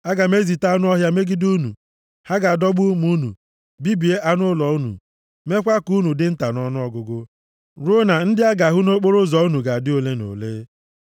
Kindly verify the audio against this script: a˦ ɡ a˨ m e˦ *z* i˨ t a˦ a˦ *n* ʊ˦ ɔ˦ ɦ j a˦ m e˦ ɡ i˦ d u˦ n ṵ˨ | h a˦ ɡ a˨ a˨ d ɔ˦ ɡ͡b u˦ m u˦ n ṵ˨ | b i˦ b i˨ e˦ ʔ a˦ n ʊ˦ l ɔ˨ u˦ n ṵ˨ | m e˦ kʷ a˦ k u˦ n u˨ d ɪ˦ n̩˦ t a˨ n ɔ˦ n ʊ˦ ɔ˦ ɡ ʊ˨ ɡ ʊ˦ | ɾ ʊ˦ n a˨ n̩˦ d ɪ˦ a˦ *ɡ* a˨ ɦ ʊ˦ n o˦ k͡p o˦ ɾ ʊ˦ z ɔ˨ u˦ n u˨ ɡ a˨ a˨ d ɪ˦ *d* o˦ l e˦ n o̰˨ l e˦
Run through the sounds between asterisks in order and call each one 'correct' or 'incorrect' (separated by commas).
correct, correct, correct, incorrect